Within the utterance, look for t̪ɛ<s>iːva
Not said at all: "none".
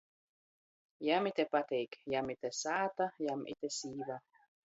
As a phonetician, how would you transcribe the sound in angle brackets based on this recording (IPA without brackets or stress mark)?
s